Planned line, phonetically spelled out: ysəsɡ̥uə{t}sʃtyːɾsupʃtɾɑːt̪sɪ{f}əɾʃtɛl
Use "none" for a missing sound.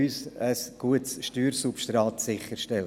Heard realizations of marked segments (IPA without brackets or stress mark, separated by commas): t, χ